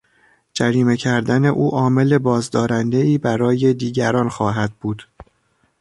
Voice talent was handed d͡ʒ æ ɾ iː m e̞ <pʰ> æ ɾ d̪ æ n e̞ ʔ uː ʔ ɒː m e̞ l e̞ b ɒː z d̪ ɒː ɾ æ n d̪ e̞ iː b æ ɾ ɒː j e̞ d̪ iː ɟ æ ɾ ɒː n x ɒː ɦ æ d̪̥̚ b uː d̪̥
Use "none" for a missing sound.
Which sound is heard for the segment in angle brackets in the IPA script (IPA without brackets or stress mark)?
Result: cʰ